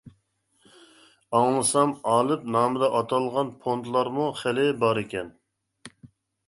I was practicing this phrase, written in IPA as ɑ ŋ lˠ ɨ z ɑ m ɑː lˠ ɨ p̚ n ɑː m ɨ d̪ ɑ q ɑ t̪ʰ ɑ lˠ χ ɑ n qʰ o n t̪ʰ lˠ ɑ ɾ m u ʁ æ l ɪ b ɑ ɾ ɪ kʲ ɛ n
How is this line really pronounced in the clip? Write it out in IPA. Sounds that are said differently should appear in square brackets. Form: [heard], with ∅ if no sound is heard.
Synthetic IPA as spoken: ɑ ŋ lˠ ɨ [s] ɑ m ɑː lˠ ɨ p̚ n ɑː m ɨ d̪ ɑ [ʔ] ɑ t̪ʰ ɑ lˠ [ʁ] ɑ n [pʰ] o n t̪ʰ lˠ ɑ ɾ m u [χ] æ l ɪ b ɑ ɾ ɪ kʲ ɛ n